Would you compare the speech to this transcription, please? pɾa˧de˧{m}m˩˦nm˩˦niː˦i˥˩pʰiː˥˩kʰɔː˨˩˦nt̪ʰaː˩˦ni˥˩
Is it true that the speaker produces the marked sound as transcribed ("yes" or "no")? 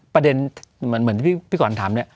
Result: no